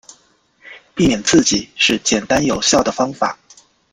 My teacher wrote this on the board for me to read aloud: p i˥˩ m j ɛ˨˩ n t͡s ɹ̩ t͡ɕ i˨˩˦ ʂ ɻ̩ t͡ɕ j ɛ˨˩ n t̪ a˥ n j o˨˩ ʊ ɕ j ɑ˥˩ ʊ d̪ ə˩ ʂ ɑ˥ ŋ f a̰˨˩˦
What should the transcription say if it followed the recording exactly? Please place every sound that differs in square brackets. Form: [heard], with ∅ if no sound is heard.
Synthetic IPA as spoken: p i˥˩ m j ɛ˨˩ n t͡s ɹ̩ t͡ɕ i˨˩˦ ʂ ɻ̩ t͡ɕ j ɛ˨˩ n t̪ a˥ n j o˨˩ ʊ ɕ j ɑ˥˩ ʊ d̪ ə˩ [f] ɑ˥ ŋ f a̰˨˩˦